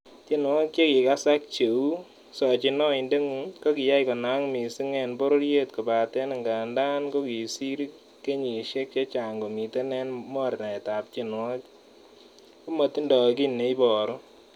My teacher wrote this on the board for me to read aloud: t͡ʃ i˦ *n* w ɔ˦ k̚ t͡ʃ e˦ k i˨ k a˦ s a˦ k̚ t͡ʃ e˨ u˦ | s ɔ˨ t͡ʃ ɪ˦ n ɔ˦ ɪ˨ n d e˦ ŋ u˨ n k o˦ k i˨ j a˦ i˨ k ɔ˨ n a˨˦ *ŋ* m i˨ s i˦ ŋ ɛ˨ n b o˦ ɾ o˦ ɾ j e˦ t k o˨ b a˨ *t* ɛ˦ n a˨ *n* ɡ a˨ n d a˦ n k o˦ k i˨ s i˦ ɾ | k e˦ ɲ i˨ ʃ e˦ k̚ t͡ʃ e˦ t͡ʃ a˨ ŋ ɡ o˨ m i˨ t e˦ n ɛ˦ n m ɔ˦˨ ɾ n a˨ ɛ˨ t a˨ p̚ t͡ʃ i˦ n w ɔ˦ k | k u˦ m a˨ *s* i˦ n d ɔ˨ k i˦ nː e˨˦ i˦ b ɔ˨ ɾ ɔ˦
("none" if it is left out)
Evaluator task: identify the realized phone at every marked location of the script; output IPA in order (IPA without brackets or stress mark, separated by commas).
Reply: n, ŋ, t, ŋ, t